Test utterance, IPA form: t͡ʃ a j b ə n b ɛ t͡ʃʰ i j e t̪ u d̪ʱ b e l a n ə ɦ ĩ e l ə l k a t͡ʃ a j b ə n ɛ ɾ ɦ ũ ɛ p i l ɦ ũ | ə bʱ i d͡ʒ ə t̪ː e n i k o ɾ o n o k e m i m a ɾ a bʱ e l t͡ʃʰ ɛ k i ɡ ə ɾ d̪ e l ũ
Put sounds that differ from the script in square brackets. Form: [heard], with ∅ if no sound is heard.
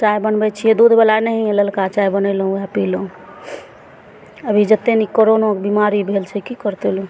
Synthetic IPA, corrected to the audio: t͡ʃ a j b ə n b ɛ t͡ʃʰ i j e [d̪] u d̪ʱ b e l a n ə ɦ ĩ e l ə l k a t͡ʃ a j b ə n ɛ [l] ɦ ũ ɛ p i l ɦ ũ | ə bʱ i d͡ʒ ə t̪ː e n i k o ɾ o n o k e [b] i m a ɾ [i] bʱ e l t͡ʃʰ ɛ k i [k] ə ɾ [t̪] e l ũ